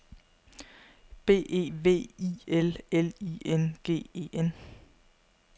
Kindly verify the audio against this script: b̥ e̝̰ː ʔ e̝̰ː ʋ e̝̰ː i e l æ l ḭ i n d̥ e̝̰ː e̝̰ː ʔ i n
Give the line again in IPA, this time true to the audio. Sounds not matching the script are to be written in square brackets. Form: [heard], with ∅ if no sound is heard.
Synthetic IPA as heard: b̥ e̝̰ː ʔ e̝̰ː ʋ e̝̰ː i e l [e] l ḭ [e] n [ɡ̥] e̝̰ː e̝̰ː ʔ [e] n

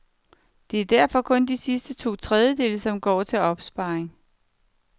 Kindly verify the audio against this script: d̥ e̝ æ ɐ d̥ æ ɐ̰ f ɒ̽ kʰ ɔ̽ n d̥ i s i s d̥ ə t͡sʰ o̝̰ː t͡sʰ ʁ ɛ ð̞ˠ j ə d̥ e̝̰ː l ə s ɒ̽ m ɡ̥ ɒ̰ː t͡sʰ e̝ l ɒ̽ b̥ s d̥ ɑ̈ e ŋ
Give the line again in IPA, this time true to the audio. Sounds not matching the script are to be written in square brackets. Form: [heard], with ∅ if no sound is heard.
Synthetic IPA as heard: d̥ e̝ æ ɐ d̥ æ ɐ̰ f ɒ̽ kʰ ɔ̽ n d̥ i s i s d̥ ə t͡sʰ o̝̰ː t͡sʰ ʁ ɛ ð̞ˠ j ə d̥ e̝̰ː l ə s ɒ̽ m ɡ̥ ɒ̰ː t͡sʰ e̝ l ɒ̽ b̥ s [b̥] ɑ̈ e ŋ

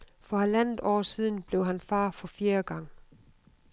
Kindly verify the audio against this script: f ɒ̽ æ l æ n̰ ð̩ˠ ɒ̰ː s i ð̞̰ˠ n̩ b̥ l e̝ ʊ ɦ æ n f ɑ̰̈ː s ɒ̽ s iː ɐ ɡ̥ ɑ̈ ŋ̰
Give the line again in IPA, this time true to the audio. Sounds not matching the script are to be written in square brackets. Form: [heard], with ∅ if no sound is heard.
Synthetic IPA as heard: f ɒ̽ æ l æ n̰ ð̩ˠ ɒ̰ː s i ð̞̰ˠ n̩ b̥ l e̝ ʊ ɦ æ n f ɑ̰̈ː [f] ɒ̽ [f] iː ɐ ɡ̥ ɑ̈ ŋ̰

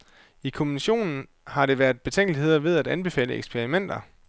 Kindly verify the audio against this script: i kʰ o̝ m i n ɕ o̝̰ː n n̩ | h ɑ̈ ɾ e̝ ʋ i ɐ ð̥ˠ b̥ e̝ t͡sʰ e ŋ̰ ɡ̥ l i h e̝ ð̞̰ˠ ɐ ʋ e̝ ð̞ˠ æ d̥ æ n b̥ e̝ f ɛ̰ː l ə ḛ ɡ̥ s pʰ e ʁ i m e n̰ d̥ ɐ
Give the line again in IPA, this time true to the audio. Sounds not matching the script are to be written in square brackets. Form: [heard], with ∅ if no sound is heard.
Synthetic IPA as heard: i kʰ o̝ m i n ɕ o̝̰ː n n̩ | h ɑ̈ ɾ e̝ ʋ [æ] ɐ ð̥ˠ b̥ e̝ t͡sʰ e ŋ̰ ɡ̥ l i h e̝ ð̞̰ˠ ɐ ʋ e̝ ð̞ˠ æ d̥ æ n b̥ e̝ f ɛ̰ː l ə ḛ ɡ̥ s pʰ e ʁ i m e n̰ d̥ ɐ

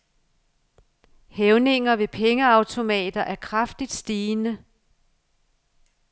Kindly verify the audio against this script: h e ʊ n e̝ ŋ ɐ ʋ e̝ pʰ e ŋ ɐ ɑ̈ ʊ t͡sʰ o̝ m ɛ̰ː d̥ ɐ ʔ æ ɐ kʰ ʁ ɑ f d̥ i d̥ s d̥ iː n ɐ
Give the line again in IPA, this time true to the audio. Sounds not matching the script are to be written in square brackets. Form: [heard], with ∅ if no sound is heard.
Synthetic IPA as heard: h e ʊ n e̝ ŋ ɐ ʋ e̝ pʰ e ŋ [ə] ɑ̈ ʊ t͡sʰ o̝ m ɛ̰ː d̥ ɐ ʔ æ ɐ kʰ ʁ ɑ f d̥ i d̥ s d̥ iː n [ə]

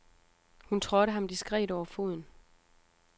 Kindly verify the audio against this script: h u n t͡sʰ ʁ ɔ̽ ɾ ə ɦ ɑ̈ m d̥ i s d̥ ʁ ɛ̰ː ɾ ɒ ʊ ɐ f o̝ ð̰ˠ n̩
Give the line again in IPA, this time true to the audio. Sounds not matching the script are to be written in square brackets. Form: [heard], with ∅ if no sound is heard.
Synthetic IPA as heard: h u n t͡sʰ ʁ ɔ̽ ɾ ə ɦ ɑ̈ m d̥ i s [ɡ̥] ʁ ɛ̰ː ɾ ɒ ʊ ɐ f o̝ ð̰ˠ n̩

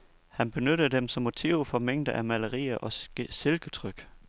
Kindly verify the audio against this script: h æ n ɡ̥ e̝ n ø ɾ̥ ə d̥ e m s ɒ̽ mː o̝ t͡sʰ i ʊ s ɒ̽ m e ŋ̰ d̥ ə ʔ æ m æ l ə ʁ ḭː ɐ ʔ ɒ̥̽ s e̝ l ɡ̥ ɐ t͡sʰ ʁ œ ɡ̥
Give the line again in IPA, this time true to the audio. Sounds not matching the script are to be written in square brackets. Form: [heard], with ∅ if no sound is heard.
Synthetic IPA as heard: h æ n [b̥] e̝ n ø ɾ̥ ə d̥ e m s ɒ̽ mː o̝ t͡sʰ i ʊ [f] ɒ̽ m e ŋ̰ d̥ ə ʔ æ m æ l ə ʁ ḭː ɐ ʔ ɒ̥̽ s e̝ l ɡ̥ [ə] t͡sʰ ʁ œ ɡ̥

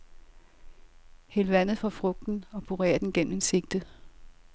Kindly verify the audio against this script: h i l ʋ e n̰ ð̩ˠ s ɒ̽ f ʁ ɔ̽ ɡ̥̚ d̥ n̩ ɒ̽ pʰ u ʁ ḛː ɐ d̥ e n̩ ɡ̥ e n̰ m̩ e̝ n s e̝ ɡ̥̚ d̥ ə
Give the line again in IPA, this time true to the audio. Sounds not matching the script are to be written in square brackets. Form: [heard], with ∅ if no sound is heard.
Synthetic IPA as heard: h [e] l ʋ [æ] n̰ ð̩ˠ [f] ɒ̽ f ʁ ɔ̽ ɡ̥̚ d̥ n̩ ɒ̽ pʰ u ʁ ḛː ɐ d̥ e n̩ ɡ̥ e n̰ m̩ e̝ n s e̝ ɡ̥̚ d̥ ə

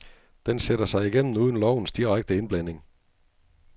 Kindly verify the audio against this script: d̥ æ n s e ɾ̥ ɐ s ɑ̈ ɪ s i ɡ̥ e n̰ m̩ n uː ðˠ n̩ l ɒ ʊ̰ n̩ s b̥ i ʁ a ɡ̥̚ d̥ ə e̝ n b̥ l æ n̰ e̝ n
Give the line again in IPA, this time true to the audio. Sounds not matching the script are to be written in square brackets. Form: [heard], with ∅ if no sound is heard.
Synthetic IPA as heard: d̥ [e] n s e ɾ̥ ɐ s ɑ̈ ɪ [∅] i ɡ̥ e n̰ m̩ n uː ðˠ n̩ l ɒ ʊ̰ n̩ s [d̥] i ʁ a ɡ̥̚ d̥ ə e̝ n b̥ l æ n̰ e̝ [ŋ]

